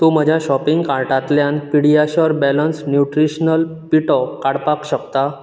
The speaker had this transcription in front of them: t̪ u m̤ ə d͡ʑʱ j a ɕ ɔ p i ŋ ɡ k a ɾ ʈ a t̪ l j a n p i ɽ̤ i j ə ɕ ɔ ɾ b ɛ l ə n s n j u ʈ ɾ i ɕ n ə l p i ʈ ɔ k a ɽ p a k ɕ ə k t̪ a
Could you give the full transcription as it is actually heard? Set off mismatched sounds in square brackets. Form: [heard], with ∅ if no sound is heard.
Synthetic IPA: t̪ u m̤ ə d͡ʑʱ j a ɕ ɔ p i ŋ ɡ k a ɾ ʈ a t̪ l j a n p i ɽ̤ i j [a] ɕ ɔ ɾ b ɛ l ə n s n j u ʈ ɾ i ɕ n ə l p i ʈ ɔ k a ɽ p a k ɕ ə k t̪ a